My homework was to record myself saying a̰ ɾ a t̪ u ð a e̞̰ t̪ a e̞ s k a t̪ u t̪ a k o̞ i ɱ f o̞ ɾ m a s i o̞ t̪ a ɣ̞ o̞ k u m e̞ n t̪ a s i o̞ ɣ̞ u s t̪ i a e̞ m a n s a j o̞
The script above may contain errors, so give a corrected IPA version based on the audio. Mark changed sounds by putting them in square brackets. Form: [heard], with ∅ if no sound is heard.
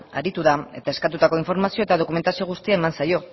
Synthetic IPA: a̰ ɾ [i] t̪ u ð a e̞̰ t̪ a e̞ s k a t̪ u t̪ a k o̞ i ɱ f o̞ ɾ m a s i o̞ t̪ a [ð̞] o̞ k u m e̞ n t̪ a s i o̞ ɣ̞ u s t̪ i a e̞ m a n s a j o̞

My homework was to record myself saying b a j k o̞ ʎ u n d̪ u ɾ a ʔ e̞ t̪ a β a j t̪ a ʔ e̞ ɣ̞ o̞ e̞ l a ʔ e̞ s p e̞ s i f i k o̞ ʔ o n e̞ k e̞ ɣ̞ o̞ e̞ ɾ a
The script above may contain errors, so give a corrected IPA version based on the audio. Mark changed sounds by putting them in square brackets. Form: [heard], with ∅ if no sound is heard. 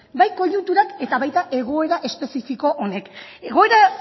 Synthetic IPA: b a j k o̞ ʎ u n [t̪] u ɾ a [k] e̞ t̪ a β a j t̪ a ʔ e̞ ɣ̞ o̞ e̞ [ɾ] a ʔ e̞ s p e̞ s i f i k o̞ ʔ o n e̞ k e̞ ɣ̞ o̞ e̞ ɾ a

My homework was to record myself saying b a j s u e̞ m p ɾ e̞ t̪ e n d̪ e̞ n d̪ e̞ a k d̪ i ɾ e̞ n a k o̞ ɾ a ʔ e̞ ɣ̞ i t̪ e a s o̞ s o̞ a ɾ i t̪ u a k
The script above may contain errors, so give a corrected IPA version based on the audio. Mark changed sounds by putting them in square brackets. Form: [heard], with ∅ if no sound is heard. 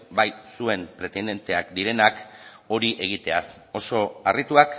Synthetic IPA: b a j s u e̞ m p ɾ e̞ t̪ e n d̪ e̞ n [t̪] e̞ a k d̪ i ɾ e̞ n a k o̞ ɾ [i] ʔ e̞ ɣ̞ i t̪ e a s o̞ s o̞ a [r] i t̪ u a k

